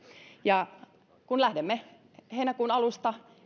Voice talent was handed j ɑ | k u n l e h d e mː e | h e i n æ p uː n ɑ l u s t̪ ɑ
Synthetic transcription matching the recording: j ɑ | k u n l æ h d e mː e | h e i n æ k uː n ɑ l u s t̪ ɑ